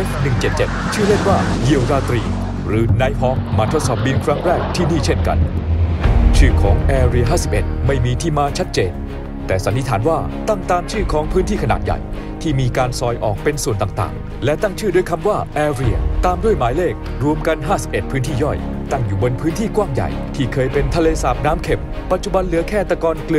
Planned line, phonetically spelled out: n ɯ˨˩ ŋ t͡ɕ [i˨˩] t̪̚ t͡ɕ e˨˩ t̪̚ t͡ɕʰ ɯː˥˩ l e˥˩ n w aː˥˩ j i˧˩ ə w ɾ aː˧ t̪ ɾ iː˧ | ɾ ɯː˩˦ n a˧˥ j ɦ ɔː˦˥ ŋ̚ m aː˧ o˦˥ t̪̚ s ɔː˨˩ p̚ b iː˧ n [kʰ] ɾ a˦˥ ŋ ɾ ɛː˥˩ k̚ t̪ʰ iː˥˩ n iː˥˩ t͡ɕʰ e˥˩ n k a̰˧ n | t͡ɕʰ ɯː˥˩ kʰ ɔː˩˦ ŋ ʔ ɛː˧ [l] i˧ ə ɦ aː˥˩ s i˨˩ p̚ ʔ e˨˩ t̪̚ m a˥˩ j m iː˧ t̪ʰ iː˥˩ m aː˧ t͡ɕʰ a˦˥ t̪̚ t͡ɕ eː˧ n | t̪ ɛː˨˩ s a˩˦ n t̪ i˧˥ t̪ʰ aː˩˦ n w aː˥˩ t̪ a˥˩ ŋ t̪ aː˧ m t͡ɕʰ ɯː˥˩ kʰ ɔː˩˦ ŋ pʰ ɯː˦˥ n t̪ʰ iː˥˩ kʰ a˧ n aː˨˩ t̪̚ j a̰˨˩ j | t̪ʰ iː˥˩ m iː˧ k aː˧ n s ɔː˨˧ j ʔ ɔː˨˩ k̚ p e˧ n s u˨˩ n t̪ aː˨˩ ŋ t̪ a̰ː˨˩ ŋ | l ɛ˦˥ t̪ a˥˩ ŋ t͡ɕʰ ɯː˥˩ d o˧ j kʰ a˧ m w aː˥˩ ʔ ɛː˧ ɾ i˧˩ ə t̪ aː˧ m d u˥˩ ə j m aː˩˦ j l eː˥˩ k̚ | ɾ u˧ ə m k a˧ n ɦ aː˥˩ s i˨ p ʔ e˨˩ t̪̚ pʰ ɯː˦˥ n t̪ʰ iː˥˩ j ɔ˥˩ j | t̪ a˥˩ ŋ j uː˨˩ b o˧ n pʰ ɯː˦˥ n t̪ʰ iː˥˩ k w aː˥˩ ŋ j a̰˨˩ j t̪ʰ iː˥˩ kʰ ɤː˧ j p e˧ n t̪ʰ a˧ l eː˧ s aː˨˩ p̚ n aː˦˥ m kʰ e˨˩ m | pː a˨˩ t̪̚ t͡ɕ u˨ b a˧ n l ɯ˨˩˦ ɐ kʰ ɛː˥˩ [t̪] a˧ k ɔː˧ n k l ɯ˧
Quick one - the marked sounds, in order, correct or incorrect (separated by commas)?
incorrect, correct, incorrect, correct